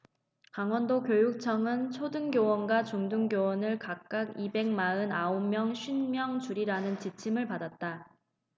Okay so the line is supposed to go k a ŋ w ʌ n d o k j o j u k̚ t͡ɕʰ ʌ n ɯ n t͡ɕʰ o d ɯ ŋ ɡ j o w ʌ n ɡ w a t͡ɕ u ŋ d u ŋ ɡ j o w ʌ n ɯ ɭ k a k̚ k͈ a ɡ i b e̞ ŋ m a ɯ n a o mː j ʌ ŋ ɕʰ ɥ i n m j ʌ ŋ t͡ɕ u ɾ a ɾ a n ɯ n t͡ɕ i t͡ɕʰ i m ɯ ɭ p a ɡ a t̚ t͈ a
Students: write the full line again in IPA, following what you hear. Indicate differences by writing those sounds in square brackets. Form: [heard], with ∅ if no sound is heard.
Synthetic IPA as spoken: k a ŋ w ʌ n d o k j o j u k̚ t͡ɕʰ ʌ [ŋ] ɯ n t͡ɕʰ o d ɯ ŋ ɡ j o w ʌ n ɡ w a t͡ɕ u ŋ d u ŋ ɡ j o w ʌ n ɯ ɭ k a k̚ k͈ a ɡ i b e̞ ŋ m a ɯ n a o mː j ʌ ŋ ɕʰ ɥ i n m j ʌ ŋ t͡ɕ u ɾ [i] ɾ a n ɯ n t͡ɕ i t͡ɕʰ i m ɯ ɭ p a [d] a t̚ t͈ a